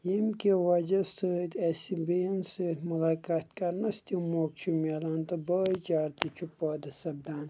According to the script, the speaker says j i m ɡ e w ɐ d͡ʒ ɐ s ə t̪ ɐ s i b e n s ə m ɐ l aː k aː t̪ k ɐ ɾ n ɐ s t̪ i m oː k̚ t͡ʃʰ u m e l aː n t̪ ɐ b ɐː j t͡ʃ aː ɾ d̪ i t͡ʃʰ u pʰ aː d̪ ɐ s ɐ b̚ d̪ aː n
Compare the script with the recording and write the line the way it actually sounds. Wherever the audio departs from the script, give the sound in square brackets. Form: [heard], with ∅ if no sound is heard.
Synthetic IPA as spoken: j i m [k] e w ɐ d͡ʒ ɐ s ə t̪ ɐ s i b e n s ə m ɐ l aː k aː t̪ k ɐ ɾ n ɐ s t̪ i m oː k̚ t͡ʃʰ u m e l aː n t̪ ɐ b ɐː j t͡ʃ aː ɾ [t̪] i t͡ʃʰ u [p] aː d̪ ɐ s ɐ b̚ d̪ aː n